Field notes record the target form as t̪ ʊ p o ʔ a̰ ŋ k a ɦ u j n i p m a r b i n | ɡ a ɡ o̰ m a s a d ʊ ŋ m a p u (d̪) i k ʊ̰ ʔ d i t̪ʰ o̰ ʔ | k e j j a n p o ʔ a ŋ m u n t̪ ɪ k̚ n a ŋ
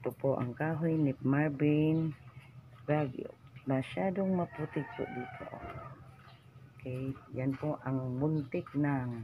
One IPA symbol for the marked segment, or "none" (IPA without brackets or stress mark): t̪